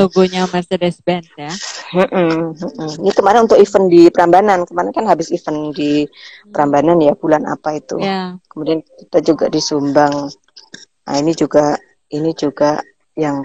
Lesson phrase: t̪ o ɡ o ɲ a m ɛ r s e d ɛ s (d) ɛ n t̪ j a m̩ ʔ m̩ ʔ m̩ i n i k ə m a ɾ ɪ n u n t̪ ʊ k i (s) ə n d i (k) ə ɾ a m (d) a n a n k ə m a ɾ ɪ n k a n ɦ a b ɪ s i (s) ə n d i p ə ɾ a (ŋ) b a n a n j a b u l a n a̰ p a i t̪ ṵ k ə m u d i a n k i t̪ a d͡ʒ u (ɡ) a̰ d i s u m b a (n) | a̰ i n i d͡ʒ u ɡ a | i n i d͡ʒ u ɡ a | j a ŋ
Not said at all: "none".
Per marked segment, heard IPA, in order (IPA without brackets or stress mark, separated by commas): b, f, p, b, f, m, ɡ, ŋ